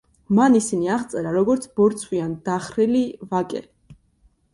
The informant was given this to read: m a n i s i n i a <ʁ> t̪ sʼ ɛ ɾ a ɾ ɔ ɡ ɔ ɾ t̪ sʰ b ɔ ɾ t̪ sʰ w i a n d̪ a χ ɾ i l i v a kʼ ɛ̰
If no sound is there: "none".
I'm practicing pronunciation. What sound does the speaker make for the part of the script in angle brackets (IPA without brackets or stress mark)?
ʁ